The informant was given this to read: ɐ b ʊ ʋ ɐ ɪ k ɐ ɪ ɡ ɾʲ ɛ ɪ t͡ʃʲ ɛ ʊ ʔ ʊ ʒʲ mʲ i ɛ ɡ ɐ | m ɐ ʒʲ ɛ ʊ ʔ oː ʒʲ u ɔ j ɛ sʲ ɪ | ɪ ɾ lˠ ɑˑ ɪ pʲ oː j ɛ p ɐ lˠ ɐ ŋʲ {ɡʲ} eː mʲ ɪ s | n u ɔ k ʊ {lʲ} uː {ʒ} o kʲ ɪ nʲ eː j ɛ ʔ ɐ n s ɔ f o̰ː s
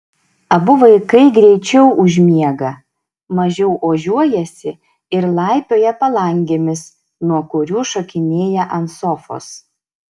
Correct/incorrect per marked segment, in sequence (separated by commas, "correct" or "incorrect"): correct, incorrect, incorrect